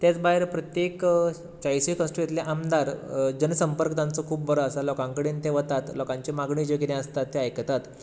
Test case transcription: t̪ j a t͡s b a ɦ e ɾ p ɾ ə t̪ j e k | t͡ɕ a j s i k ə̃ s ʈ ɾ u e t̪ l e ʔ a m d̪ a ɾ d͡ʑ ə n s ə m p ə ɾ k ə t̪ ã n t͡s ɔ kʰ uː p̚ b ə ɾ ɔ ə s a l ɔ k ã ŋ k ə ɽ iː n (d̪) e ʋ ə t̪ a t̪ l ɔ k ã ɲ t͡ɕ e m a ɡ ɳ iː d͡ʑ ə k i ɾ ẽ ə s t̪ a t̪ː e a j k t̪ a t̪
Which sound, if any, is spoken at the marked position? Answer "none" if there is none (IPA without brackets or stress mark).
t̪